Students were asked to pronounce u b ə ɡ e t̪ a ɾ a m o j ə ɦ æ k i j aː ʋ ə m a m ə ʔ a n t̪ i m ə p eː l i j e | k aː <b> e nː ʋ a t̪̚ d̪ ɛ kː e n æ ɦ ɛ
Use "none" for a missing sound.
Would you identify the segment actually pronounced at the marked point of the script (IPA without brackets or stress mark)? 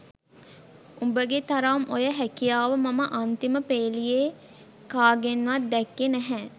ɡ